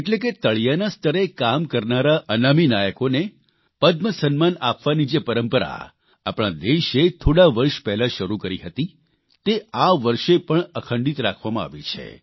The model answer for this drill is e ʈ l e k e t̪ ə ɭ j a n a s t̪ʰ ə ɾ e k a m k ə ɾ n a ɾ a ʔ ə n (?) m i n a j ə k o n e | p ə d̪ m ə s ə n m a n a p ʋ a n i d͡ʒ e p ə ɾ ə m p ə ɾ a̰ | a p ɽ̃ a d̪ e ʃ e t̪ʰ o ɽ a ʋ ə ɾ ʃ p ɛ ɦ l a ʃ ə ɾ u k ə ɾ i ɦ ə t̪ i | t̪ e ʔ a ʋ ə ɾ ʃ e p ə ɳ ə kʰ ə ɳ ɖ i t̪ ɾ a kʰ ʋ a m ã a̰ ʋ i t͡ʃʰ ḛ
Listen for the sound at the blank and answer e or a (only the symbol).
a